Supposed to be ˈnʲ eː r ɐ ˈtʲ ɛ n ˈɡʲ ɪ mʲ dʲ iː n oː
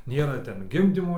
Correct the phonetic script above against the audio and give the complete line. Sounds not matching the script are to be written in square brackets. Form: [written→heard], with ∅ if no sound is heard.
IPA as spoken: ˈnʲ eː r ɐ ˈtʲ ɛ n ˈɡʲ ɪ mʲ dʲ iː [n→m] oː